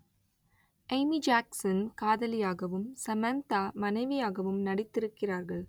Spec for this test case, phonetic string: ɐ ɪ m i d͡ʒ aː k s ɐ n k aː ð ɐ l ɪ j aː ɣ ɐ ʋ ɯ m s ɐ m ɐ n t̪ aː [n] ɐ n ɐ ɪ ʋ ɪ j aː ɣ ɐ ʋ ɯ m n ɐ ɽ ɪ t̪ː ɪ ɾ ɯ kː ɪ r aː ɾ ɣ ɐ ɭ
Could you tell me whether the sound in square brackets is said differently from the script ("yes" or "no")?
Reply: yes